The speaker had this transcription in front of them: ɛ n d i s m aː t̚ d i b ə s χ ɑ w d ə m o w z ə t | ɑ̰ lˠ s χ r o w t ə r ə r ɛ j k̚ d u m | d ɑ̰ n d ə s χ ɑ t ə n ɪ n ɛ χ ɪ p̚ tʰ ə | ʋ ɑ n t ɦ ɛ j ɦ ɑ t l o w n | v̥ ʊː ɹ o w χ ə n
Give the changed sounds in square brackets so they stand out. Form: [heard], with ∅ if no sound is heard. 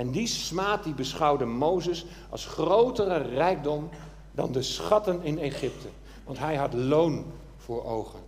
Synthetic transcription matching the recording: ɛ n d i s m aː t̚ d i b ə s χ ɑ w d ə m o w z ə [s] | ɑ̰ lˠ s χ r o w t ə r ə r ɛ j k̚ d [ɔ] m | d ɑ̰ n d ə s χ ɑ t ə n ɪ n [e] χ ɪ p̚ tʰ ə | ʋ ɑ n t ɦ ɛ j ɦ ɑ t l o w n | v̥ ʊː ɹ o w χ ə n